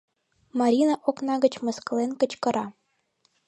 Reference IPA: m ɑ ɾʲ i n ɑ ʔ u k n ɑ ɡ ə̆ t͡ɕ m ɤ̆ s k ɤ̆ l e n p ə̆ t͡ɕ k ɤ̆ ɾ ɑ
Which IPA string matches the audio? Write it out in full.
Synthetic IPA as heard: m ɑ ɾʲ i n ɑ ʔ o k n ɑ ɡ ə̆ t͡ɕ m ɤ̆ s k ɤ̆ l e n k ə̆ t͡ɕ k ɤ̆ ɾ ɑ